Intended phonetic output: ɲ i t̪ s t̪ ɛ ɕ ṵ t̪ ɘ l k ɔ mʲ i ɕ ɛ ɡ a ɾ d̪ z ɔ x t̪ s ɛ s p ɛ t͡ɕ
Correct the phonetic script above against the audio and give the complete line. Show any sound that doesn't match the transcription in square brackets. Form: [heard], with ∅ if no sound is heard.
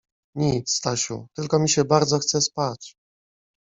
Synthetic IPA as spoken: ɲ i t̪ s t̪ [a] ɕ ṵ t̪ ɘ l k ɔ mʲ i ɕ ɛ [b] a ɾ d̪ z ɔ x t̪ s ɛ s p [a] t͡ɕ